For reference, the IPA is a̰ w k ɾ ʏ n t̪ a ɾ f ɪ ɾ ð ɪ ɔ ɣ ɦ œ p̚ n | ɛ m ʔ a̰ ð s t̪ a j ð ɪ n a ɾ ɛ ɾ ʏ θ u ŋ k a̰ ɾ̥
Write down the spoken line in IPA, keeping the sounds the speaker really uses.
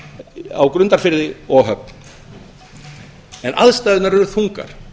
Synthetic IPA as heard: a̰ w k ɾ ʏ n t̪ a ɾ f ɪ ɾ ð ɪ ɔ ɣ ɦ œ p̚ n | ɛ n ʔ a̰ ð s t̪ a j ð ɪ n a ɾ ɛ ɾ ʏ θ u ŋ k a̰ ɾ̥